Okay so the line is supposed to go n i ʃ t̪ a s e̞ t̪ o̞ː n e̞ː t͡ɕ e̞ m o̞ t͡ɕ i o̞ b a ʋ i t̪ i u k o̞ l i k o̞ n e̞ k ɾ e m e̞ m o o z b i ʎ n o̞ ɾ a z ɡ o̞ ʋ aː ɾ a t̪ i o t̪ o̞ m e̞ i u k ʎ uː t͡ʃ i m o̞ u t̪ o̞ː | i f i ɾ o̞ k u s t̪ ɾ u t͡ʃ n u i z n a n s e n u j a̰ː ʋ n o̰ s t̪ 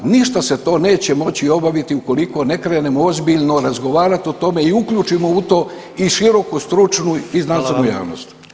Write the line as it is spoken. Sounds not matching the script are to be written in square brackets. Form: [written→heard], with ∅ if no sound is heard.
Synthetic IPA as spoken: n i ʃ t̪ a s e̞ t̪ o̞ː n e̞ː t͡ɕ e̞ m o̞ t͡ɕ i o̞ b a ʋ i t̪ i u k o̞ l i k o̞ n e̞ k ɾ e [m→n] e̞ m o o z b i ʎ n o̞ ɾ a z ɡ o̞ ʋ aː ɾ a t̪ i o t̪ o̞ m e̞ i u k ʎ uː t͡ʃ i m o̞ u t̪ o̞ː | i [f→ʃ] i ɾ o̞ k u s t̪ ɾ u t͡ʃ n u i z n a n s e n u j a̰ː ʋ n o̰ s t̪